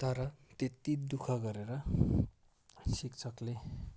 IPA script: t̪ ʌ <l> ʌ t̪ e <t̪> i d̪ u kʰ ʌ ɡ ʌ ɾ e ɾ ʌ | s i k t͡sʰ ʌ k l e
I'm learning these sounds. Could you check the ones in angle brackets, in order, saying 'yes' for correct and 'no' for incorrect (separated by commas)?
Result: no, yes